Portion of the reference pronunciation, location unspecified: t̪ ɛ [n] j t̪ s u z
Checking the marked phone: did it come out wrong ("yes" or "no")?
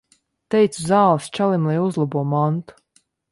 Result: yes